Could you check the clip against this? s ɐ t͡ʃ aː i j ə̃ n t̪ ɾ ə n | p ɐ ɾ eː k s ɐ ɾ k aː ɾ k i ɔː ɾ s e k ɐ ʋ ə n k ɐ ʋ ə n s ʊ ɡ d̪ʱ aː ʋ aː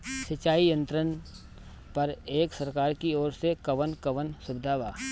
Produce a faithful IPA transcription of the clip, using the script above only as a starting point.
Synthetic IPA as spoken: s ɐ t͡ʃ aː i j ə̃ n t̪ ɾ ə n | p ɐ ɾ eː k s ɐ ɾ k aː ɾ k i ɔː ɾ s e k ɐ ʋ ə n k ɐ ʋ ə n s ʊ b d̪ʱ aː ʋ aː